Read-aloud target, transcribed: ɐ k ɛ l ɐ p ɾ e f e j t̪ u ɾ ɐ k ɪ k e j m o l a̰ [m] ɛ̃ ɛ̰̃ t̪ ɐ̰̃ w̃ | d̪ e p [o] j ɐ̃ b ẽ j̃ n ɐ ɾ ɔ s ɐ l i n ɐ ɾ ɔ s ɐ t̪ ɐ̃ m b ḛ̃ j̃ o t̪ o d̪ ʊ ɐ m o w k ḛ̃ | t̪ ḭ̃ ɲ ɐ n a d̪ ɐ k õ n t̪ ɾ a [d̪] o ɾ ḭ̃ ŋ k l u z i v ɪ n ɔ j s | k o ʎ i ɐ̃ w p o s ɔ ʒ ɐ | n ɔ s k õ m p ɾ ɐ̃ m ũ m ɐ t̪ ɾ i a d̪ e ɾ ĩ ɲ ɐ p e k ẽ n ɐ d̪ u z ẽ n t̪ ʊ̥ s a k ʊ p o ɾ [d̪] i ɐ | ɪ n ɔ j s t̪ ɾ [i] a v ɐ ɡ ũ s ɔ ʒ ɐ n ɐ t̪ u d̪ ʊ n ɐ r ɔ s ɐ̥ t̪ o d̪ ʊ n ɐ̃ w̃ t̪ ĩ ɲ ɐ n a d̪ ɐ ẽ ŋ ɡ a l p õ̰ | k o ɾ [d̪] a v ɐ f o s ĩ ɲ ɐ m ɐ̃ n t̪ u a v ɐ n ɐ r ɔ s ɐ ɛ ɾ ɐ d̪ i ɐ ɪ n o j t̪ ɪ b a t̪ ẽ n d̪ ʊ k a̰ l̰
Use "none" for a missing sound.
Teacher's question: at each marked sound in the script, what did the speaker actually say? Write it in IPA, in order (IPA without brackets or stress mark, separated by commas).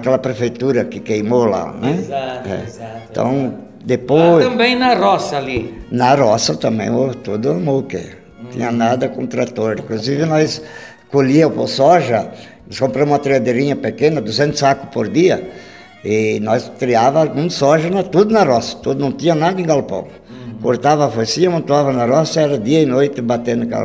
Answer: n, o, t̪, d̪, i, t̪